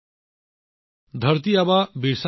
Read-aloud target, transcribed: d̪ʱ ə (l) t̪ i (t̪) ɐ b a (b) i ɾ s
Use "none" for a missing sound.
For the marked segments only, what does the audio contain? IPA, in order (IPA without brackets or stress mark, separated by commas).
ɾ, none, b